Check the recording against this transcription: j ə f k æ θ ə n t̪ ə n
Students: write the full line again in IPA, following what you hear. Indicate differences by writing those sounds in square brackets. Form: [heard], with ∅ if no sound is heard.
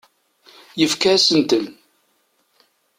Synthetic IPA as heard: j ə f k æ [s] ə n t̪ ə n